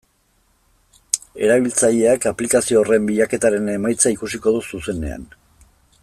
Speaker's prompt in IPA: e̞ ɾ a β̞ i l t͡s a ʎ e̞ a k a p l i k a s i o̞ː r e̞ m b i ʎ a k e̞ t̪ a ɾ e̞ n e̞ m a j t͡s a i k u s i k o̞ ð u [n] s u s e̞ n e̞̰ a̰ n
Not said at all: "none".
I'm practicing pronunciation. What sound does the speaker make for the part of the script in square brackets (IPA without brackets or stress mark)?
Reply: none